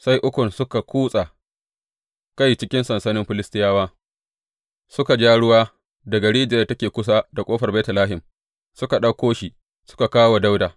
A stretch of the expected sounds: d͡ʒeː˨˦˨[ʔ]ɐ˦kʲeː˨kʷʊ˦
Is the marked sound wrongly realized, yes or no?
yes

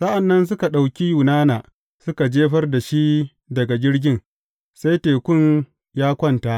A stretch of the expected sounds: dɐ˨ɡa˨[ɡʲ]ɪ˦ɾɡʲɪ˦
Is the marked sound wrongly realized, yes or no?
no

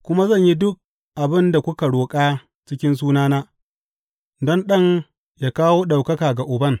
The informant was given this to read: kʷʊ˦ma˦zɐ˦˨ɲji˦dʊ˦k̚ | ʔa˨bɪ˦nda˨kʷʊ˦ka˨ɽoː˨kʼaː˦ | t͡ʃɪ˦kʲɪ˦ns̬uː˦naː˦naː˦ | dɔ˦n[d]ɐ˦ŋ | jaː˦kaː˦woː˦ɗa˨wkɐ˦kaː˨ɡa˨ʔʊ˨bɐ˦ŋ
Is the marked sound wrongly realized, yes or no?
yes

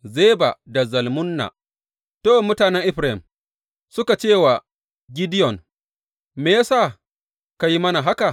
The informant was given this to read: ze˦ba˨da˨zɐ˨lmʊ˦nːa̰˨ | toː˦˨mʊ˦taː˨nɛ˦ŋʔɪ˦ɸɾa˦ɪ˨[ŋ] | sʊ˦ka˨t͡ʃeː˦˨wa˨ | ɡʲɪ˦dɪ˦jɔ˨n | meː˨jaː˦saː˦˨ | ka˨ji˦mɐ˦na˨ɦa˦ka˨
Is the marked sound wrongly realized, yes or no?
yes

